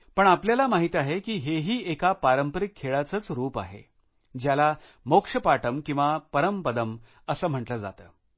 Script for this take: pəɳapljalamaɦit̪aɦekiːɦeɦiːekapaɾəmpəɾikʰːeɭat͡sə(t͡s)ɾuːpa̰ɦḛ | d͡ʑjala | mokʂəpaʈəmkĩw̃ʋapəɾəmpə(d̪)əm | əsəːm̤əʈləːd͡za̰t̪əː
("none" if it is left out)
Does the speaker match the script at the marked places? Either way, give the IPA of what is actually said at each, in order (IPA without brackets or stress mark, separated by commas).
t͡s, d̪